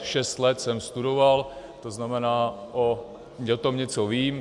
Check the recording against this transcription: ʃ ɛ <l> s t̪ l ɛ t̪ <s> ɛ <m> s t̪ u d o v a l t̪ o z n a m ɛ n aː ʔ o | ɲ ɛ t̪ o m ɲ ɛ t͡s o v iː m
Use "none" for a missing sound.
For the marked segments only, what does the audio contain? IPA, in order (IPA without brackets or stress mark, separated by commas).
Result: none, s, m